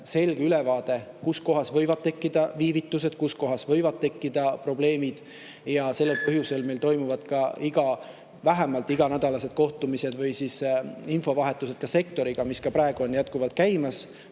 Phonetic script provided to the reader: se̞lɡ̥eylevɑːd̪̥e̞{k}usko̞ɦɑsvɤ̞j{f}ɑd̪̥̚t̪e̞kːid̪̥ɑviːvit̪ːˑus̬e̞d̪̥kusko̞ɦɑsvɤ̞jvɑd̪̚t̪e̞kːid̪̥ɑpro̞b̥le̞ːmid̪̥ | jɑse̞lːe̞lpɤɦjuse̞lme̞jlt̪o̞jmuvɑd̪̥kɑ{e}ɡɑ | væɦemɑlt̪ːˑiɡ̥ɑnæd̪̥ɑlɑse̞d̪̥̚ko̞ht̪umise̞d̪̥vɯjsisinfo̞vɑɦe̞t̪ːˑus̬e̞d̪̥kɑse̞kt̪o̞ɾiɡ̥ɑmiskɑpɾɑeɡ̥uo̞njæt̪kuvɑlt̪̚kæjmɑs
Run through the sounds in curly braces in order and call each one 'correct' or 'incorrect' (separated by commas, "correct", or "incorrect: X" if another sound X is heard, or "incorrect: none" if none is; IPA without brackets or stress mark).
correct, incorrect: v, incorrect: i